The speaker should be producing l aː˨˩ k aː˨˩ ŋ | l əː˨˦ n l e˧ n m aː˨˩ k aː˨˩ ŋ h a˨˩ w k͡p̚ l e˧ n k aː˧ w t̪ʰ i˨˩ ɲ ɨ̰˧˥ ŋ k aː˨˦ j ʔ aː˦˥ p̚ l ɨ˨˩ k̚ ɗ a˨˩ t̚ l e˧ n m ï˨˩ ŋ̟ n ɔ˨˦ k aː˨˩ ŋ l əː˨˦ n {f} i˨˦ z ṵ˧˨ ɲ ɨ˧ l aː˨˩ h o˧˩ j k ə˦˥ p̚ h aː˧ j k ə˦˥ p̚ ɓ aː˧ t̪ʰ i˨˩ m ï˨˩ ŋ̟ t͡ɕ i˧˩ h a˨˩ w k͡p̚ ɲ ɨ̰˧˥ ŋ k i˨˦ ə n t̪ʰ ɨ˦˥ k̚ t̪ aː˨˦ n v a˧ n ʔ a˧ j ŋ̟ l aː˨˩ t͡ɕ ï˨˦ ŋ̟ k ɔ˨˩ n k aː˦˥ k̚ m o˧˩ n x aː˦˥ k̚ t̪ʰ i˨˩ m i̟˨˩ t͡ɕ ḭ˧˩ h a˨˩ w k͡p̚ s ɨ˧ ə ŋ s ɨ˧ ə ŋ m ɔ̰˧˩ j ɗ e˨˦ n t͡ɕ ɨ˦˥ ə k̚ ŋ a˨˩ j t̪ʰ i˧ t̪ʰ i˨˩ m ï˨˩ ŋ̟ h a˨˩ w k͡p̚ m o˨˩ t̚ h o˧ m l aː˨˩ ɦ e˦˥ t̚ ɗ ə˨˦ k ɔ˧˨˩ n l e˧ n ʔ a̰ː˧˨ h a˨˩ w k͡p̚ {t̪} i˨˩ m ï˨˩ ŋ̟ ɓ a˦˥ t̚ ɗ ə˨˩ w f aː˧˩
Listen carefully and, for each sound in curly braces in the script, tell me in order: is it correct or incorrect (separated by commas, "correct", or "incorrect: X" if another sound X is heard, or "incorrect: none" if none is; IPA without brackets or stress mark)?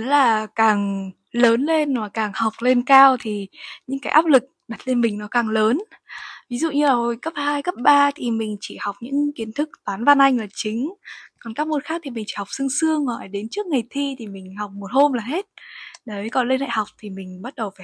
incorrect: v, incorrect: t̪ʰ